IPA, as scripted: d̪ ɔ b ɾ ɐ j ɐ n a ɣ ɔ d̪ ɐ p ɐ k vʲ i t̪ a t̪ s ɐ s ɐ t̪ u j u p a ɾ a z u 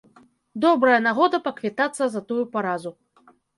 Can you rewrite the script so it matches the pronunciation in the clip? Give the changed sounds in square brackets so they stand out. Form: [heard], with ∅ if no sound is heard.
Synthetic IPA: d̪ ɔ b ɾ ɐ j ɐ n a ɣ ɔ d̪ ɐ p ɐ k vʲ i t̪ a t̪ [sː] ɐ [z] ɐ t̪ u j u p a ɾ a z u